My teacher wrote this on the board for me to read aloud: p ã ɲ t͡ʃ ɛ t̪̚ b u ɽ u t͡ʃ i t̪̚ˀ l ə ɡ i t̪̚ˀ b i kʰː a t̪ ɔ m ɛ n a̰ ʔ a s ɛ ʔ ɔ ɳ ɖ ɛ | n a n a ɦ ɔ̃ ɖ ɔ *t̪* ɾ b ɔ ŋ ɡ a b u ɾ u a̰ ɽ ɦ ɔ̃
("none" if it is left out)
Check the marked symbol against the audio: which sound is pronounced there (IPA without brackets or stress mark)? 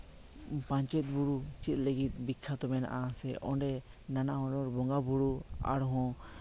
none